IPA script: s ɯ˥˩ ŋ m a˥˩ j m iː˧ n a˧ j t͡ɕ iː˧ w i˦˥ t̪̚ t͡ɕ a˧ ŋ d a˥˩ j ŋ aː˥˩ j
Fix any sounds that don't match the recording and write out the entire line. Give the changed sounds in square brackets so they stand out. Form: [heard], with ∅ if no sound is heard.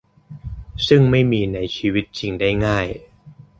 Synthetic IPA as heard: s ɯ˥˩ ŋ m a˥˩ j m iː˧ n [a˩˦] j [t͡ɕʰ] iː˧ w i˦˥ t̪̚ t͡ɕ [i˧] ŋ d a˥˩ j ŋ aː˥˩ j